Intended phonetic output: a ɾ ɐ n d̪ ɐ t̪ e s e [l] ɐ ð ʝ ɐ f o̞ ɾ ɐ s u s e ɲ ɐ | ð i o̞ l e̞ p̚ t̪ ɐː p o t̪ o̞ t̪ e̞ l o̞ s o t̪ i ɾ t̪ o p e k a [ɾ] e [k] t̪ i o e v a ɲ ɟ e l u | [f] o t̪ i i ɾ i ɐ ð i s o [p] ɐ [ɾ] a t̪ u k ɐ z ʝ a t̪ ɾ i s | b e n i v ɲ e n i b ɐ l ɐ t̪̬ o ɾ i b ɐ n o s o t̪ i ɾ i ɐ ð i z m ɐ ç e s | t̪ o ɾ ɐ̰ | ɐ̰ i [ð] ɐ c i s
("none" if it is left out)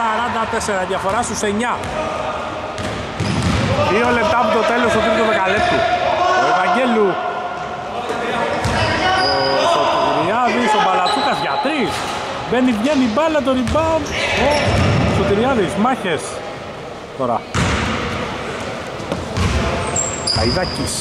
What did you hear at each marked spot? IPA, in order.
ɾ, l, p, s, b, l, ð

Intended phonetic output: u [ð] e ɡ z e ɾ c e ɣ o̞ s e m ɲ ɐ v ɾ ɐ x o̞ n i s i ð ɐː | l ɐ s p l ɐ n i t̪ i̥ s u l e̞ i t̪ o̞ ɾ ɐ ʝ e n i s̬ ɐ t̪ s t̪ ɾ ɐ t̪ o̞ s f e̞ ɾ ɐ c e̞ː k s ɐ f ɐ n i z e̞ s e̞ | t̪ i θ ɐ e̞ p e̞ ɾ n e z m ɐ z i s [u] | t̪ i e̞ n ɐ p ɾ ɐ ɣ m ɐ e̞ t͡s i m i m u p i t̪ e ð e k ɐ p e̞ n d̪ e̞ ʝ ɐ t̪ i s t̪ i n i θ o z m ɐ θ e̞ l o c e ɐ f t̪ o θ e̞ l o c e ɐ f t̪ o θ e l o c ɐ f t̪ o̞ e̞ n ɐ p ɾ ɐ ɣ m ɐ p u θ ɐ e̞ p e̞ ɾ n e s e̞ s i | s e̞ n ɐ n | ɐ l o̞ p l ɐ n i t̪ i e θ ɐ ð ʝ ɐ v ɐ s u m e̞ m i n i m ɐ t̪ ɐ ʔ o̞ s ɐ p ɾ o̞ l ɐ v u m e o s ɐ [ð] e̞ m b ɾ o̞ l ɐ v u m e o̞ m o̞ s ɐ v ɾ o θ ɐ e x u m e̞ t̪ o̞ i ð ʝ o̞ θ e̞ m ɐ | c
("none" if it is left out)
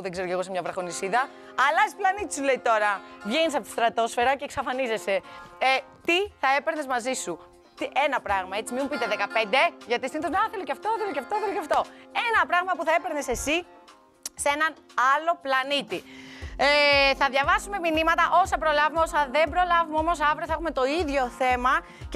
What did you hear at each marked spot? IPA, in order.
ð, u, ð

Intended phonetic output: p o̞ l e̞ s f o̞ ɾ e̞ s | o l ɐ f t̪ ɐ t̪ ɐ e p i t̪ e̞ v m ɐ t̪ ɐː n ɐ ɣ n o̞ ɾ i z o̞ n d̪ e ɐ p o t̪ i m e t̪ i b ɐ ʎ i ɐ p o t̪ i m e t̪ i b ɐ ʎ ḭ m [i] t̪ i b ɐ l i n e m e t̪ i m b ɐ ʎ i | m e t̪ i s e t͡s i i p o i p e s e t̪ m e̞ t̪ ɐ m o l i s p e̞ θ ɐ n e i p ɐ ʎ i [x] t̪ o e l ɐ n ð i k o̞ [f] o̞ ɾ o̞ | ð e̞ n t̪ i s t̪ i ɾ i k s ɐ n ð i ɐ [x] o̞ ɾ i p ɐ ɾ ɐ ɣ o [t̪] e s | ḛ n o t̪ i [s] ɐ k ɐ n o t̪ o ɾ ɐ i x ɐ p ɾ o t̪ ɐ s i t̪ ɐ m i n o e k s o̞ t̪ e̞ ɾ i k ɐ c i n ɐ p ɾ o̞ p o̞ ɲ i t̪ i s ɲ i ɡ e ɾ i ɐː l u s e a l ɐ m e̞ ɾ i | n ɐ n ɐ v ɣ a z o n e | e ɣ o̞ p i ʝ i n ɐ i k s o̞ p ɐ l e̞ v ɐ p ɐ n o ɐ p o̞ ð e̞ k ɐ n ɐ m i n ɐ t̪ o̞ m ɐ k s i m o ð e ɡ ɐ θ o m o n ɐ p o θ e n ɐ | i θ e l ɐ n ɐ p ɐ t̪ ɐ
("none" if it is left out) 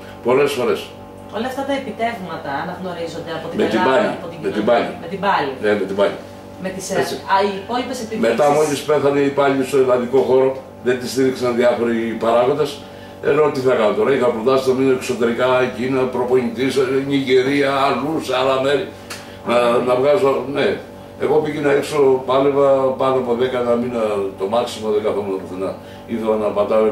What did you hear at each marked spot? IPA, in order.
e, s, x, f, d̪, θ

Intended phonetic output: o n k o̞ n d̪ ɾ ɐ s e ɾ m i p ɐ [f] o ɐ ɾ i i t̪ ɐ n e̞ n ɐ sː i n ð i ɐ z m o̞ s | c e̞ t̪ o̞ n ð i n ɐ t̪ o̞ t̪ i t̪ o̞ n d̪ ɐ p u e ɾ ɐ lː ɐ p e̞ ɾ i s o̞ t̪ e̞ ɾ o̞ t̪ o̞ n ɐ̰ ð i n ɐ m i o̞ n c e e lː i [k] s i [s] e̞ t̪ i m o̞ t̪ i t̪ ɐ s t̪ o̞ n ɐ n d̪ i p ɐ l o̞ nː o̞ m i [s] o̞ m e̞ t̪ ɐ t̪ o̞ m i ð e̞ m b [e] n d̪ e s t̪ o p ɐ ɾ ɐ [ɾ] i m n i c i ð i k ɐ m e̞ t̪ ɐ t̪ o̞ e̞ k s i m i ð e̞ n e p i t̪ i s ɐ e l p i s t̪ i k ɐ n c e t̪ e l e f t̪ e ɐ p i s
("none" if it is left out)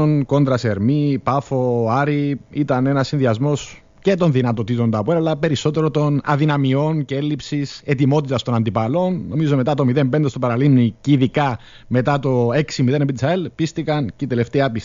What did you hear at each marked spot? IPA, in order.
f, p, s, z, e, l

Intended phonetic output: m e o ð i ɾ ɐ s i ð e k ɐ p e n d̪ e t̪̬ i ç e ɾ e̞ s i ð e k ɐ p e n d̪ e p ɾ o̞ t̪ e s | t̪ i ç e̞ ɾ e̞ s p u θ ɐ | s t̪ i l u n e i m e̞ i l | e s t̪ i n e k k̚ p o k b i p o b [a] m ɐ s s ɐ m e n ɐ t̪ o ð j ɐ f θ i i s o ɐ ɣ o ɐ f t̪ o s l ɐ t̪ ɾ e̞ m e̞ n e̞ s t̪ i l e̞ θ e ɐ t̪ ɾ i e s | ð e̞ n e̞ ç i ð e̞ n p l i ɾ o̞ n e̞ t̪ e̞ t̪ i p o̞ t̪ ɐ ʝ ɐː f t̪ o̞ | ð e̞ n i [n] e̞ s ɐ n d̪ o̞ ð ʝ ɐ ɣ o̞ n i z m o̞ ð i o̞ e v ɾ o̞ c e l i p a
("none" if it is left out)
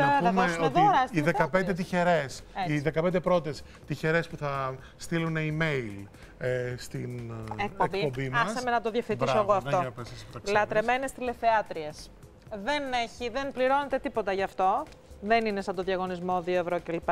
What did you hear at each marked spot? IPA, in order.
i, n

